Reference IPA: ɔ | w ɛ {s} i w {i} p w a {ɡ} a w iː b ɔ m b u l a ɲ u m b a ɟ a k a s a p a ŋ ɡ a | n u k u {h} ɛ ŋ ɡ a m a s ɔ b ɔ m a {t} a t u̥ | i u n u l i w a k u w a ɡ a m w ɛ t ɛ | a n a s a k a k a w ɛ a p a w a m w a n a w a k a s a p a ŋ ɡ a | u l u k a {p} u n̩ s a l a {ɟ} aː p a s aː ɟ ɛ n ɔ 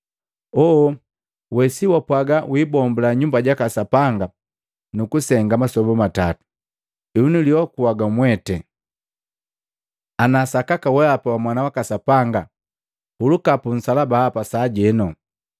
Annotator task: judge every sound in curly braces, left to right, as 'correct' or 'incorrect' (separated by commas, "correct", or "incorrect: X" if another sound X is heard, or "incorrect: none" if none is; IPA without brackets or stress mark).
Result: correct, incorrect: a, correct, incorrect: s, correct, correct, incorrect: b